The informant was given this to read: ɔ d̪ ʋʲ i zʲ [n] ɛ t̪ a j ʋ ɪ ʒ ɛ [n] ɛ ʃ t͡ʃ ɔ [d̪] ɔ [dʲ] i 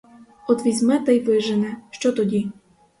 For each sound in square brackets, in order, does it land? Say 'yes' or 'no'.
no, yes, no, yes

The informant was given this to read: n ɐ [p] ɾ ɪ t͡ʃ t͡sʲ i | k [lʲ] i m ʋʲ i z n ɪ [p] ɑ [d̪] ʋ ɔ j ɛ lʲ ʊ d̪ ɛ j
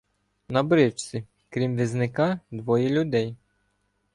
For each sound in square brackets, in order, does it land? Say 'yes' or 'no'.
no, no, no, yes

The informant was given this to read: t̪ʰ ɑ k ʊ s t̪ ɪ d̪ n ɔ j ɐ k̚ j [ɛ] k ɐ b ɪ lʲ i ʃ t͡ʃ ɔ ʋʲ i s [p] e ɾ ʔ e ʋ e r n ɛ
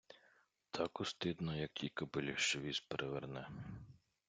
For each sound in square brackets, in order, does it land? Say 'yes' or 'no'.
no, yes

